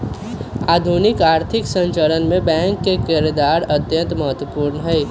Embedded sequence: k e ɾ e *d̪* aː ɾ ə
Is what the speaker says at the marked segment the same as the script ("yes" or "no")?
yes